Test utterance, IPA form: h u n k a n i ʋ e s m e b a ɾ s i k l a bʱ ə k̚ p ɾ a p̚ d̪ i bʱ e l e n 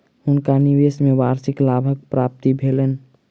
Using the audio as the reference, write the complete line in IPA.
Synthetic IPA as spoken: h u n k a n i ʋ e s m e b a ɾ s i k l a bʱ ə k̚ p ɾ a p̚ t̪ i bʱ e l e n